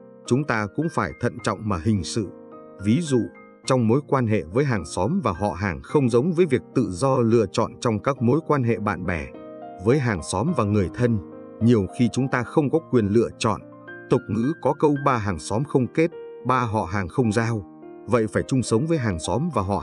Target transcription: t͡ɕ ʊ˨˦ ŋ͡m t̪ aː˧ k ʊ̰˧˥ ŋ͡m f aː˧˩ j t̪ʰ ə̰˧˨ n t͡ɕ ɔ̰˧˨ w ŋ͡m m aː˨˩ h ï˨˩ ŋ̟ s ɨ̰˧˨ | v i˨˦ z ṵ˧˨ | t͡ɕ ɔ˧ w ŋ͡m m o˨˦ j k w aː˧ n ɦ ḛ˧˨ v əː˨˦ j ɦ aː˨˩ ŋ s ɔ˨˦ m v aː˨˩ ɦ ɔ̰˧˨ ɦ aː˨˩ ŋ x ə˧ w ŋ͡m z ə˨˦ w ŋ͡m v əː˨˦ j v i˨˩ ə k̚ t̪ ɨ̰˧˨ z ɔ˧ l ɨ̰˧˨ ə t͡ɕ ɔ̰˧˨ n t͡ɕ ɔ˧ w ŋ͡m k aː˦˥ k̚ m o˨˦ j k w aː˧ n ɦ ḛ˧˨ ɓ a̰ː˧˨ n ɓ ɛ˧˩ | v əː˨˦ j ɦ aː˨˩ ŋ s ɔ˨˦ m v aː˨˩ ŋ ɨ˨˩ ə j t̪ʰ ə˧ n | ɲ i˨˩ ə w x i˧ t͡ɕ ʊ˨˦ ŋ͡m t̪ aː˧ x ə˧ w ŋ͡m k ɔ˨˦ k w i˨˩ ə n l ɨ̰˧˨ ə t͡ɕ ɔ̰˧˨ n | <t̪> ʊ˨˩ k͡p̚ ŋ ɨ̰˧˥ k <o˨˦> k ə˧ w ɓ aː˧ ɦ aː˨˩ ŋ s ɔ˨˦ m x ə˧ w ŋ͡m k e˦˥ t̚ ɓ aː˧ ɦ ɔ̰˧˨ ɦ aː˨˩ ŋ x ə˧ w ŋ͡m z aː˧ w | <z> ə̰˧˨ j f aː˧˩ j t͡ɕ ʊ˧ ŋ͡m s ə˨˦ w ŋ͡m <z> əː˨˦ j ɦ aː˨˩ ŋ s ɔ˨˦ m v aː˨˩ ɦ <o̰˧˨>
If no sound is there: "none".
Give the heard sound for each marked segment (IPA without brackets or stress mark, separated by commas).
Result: t̪, ɔ˨˦, v, v, ɔ̰˧˨